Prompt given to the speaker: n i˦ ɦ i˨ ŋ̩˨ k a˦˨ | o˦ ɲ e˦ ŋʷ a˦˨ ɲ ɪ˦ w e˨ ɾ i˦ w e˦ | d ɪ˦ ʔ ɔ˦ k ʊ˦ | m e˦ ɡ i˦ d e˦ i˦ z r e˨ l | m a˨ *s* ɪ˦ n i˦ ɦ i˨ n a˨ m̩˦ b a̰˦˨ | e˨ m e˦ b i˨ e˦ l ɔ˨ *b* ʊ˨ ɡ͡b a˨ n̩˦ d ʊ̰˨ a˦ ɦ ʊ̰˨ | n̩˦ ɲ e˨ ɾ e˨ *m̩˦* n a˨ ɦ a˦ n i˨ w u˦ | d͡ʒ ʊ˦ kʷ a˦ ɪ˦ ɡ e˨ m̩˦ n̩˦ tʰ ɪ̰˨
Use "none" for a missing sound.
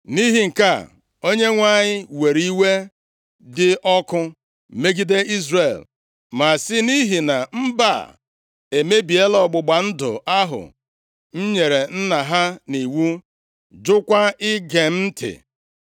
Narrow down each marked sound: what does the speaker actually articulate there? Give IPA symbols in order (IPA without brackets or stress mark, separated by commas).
s, ɡ͡b, n̩˦